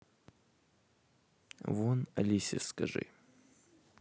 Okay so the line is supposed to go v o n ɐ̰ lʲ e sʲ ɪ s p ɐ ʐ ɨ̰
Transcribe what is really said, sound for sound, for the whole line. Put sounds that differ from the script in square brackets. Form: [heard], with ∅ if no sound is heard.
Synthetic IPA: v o n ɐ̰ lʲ [i] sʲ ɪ s [k] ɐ ʐ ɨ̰

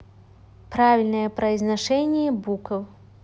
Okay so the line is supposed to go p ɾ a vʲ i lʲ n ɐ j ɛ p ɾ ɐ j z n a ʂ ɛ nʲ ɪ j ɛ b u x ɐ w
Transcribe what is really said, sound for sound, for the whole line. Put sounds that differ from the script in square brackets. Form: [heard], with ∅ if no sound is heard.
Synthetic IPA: p ɾ a vʲ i lʲ n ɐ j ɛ p ɾ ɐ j z n a ʂ ɛ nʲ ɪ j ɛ b u [k] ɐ w

